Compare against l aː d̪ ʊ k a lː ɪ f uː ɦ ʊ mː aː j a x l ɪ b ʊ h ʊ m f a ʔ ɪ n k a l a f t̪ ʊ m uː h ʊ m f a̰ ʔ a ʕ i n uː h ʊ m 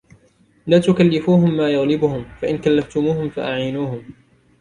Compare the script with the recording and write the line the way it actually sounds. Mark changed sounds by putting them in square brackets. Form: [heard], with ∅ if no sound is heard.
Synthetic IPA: l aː [t̪] ʊ k a lː ɪ f uː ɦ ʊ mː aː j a [ɣ] l ɪ b ʊ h ʊ m f a ʔ ɪ n k a [lː] a f t̪ ʊ m uː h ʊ m f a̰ ʔ a ʕ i n uː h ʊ m

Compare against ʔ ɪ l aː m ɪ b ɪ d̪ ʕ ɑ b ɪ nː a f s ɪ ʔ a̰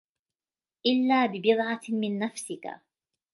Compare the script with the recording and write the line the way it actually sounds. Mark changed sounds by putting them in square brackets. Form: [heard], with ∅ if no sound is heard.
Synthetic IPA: ʔ ɪ [lː] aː [b] ɪ b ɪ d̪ ʕ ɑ [m] ɪ nː a f s ɪ [k] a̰

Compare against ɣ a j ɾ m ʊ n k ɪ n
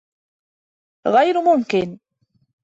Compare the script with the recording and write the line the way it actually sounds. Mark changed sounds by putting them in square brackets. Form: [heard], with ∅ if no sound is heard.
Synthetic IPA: ɣ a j ɾ m ʊ [m] k ɪ n

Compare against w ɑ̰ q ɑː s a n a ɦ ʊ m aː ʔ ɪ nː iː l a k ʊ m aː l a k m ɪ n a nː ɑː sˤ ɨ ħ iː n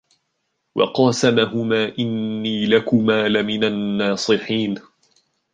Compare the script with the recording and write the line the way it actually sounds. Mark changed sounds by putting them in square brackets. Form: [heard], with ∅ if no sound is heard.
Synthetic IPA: w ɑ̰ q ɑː s a [m] a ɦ ʊ m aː ʔ ɪ nː iː l a k ʊ m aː l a [∅] m ɪ n a nː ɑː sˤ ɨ ħ iː n

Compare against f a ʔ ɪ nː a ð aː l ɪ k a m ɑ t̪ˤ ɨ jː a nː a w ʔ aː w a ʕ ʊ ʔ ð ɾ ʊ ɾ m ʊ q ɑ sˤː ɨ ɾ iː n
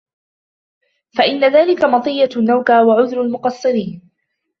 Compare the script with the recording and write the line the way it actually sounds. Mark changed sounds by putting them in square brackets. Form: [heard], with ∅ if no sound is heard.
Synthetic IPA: f a ʔ ɪ nː a ð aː l ɪ k a m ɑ t̪ˤ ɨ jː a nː a w [k] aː w a ʕ ʊ [∅] ð ɾ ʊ [l] m ʊ q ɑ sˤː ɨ ɾ iː n

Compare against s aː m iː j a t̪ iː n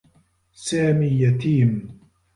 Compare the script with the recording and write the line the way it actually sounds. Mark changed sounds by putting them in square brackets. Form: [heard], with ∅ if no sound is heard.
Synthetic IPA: s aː m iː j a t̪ iː [m]

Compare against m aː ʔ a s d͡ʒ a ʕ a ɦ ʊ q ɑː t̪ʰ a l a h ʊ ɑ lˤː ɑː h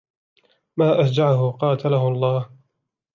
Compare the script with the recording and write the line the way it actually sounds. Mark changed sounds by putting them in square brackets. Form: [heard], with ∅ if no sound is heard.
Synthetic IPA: m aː ʔ a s d͡ʒ a ʕ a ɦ ʊ q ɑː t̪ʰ a l a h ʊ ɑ lˤː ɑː h

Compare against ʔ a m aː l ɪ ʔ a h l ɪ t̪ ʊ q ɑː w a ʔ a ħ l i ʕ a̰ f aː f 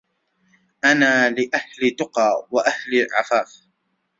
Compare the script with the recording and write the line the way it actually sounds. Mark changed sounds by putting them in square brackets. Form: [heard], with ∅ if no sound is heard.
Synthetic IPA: ʔ a [n] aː l ɪ ʔ a h l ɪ t̪ ʊ q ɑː w a ʔ a [h] l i ʕ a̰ f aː f

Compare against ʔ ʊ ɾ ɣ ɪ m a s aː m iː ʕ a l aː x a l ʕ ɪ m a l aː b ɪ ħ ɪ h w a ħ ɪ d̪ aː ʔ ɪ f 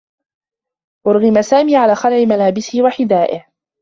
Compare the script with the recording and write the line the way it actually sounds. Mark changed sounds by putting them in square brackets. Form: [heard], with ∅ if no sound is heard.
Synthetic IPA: ʔ ʊ ɾ ɣ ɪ m a s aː m iː ʕ a l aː x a l ʕ ɪ m a l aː b ɪ [s] ɪ h w a ħ ɪ d̪ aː ʔ ɪ [h]

